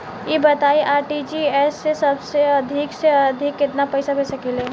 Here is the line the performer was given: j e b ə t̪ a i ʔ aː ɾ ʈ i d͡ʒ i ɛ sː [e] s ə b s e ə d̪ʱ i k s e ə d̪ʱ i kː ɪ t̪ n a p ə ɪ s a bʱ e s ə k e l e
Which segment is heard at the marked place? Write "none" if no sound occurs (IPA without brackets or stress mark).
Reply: e